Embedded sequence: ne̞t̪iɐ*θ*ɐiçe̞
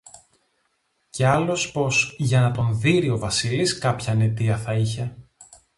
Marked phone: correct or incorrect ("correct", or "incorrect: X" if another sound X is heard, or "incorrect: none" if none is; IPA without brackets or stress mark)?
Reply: correct